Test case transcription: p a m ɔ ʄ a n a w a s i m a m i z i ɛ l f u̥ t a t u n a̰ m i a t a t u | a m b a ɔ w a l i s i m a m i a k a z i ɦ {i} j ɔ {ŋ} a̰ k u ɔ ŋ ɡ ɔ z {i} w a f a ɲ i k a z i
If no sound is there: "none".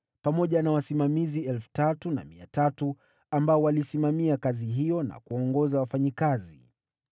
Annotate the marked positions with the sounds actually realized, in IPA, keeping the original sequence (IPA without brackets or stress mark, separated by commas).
i, n, a